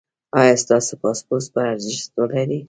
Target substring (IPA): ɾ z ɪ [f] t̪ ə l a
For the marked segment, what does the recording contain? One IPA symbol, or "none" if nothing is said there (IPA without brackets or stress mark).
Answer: ʃ